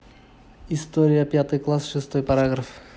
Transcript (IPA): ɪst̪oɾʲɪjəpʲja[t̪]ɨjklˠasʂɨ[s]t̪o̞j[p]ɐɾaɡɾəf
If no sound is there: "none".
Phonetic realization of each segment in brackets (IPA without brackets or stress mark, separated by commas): t̪, s, p